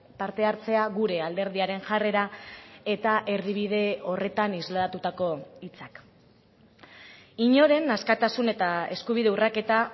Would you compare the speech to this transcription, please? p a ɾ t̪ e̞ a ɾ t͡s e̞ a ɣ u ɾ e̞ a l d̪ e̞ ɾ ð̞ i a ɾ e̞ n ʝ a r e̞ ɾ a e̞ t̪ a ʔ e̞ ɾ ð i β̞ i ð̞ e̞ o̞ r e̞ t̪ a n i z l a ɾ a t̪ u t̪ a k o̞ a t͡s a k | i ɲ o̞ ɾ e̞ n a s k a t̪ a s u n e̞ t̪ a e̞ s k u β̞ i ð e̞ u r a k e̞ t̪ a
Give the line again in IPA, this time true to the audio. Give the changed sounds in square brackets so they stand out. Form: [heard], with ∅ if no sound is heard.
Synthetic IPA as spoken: p a ɾ t̪ e̞ a ɾ t͡s e̞ a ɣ u ɾ e̞ a l d̪ e̞ ɾ ð̞ i a ɾ e̞ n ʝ a r e̞ ɾ a e̞ t̪ a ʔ e̞ ɾ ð i β̞ i ð̞ e̞ o̞ r e̞ t̪ a n i z l a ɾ a t̪ u t̪ a k o̞ [i] t͡s a k | i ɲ o̞ ɾ e̞ n a s k a t̪ a s u n e̞ t̪ a e̞ s k u β̞ i ð e̞ u r a k e̞ t̪ a